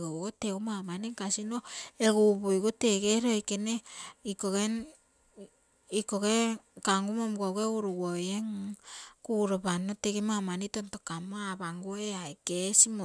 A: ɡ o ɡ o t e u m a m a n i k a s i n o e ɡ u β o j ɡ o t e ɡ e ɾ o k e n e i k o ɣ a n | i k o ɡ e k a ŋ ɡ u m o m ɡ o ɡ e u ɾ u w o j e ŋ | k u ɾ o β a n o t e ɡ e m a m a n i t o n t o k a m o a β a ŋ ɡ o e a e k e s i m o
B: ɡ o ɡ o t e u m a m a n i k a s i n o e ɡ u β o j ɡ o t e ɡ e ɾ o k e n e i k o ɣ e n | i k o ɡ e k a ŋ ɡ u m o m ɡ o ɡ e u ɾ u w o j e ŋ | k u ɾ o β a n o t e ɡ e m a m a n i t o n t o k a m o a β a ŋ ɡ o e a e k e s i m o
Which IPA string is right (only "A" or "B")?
B